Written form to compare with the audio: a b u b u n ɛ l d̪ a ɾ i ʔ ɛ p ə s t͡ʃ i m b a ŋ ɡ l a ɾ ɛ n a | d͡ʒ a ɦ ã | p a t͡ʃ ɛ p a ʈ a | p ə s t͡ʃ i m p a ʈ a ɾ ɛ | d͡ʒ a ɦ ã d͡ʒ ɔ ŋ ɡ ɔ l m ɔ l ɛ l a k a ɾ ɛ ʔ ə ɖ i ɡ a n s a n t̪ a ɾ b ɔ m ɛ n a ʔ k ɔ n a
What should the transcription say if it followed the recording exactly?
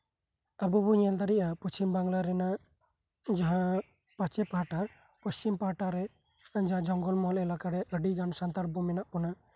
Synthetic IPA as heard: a b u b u ɲ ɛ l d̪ a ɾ i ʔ a p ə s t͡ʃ i m b a ŋ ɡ l a ɾ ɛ n a | d͡ʒ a ɦ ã | p a t͡ʃ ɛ p a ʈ a | p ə s t͡ʃ i m p a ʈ a ɾ ɛ | d͡ʒ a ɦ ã d͡ʒ ɔ ŋ ɡ ɔ l m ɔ l ɛ l a k a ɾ ɛ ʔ ə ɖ i ɡ a n s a n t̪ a ɾ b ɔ m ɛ n a ʔ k ɔ n a

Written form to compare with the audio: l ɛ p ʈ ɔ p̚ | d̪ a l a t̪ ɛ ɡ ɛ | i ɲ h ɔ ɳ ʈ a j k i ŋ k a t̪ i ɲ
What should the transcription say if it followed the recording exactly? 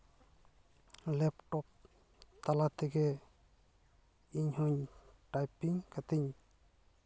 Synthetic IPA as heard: l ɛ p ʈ ɔ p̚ | t̪ a l a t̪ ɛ ɡ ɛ | i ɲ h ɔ ɲ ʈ a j p i ŋ k a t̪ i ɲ

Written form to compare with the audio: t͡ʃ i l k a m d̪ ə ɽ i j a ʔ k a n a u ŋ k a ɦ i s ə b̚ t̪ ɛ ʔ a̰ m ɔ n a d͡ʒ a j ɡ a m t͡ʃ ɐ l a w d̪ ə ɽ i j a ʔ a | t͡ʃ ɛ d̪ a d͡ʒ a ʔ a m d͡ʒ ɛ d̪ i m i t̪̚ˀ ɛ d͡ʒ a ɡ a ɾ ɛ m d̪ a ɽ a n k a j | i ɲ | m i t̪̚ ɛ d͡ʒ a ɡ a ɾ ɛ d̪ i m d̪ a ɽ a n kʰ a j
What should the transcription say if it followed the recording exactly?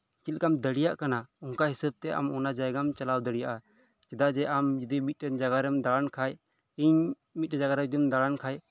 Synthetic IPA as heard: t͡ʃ i l k a m d̪ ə ɽ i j a ʔ k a n a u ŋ k a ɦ i s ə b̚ t̪ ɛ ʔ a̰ m ɔ n a d͡ʒ a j ɡ a m t͡ʃ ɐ l a w d̪ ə ɽ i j a ʔ a | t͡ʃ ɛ d̪ a d͡ʒ ɛ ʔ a m d͡ʒ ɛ d̪ i m i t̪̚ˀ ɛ d͡ʒ a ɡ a ɾ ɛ m d̪ a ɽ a n kʰ a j | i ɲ | m i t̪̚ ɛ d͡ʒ a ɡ a ɾ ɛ d̪ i m d̪ a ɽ a n kʰ a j

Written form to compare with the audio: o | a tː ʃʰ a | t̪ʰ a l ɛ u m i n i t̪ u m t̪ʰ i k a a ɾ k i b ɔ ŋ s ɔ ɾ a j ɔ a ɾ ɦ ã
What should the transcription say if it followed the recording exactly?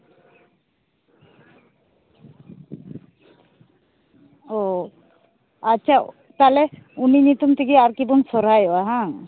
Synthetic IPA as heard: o | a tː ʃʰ a | t̪ a l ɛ u n i n i t̪ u m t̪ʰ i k i a ɾ k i b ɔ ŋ s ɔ ɾ a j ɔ a ɦ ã

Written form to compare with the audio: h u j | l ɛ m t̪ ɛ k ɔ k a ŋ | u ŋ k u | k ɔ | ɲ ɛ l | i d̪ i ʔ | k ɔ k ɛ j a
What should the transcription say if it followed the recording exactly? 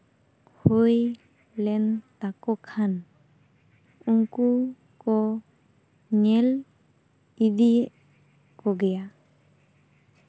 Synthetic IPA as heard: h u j | l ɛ n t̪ a k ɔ kʰ a n | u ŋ k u | k ɔ | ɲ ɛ l | i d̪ i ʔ | k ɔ ɡ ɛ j a

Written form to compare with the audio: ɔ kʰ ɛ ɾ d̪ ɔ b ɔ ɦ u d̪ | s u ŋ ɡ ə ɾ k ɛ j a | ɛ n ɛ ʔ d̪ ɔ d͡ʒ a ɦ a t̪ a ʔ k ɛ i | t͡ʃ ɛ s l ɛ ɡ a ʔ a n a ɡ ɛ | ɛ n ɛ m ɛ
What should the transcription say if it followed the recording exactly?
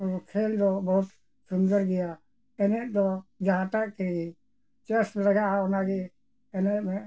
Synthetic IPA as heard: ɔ kʰ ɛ l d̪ ɔ b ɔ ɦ u t̪ | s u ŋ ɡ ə ɾ ɡ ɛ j a | ɛ n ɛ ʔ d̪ ɔ d͡ʒ a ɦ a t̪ a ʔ k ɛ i | t͡ʃ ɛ s l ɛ ɡ a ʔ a n a ɡ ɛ | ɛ n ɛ m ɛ

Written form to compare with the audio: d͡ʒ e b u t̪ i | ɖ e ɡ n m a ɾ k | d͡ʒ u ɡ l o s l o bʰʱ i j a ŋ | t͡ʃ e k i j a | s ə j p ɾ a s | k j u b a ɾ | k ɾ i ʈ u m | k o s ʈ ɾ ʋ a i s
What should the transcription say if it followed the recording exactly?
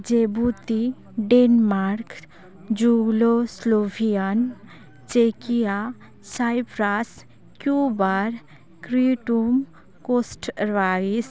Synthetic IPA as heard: d͡ʒ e b u t̪ i | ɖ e n m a ɾ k | d͡ʒ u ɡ l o s l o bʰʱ i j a n | t͡ʃ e k i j a | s a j p ɾ a s | k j u b a ɾ | k ɾ i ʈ u m | k o s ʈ ɾ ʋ a i s

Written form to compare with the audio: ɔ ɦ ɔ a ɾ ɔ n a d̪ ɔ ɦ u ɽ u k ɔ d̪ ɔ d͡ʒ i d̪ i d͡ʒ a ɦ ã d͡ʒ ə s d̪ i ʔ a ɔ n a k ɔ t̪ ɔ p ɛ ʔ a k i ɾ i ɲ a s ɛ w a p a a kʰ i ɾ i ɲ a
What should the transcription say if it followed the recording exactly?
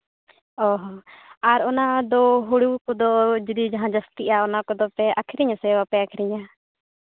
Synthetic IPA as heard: ɔ ɦ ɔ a ɾ ɔ n a d̪ ɔ ɦ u ɽ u k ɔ d̪ ɔ d͡ʒ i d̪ i d͡ʒ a ɦ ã d͡ʒ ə s t̪ i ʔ a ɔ n a k ɔ d̪ ɔ p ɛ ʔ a kʰ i ɾ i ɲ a s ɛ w a p ɛ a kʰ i ɾ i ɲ a

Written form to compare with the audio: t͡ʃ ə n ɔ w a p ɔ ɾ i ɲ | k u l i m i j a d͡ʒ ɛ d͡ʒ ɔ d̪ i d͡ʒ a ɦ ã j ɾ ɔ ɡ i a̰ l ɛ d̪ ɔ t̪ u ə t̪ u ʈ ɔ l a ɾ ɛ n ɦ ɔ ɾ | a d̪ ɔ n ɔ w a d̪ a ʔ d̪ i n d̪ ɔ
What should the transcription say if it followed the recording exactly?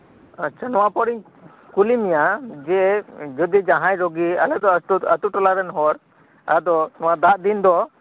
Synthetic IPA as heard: t͡ʃ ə n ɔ w a p ɔ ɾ i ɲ | k u l i m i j a d͡ʒ ɛ d͡ʒ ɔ d̪ i d͡ʒ a ɦ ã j ɾ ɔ ɡ i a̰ l ɛ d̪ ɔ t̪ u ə t̪ u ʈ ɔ l a ɾ ɛ n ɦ ɔ ɾ | a d̪ ɔ n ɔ w a d̪ a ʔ d̪ i n d̪ ɔ

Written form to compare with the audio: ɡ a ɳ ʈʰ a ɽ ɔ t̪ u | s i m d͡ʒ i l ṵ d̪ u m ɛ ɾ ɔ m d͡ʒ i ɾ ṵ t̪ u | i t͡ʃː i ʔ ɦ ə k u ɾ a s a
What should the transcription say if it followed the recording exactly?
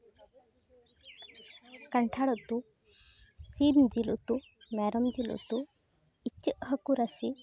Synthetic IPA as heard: k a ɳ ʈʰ a ɽ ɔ t̪ u | s i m d͡ʒ i l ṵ t̪ u m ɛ ɾ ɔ m d͡ʒ i l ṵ t̪ u | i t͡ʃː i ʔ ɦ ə k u ɾ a s i

